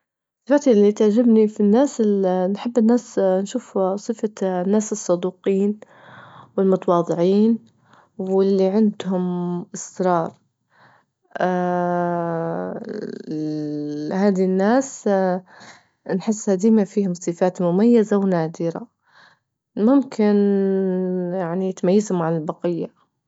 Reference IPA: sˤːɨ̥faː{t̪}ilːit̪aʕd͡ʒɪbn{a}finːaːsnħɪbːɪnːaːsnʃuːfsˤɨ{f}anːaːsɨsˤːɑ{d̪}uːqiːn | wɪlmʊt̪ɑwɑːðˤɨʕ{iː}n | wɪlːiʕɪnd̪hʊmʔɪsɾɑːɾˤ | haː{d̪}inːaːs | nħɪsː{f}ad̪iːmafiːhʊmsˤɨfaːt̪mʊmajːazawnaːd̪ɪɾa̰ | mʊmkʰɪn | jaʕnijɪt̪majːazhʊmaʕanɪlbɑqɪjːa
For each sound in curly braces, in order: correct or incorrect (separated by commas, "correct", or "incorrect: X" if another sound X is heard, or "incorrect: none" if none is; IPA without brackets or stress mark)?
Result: correct, incorrect: i, correct, correct, correct, correct, incorrect: h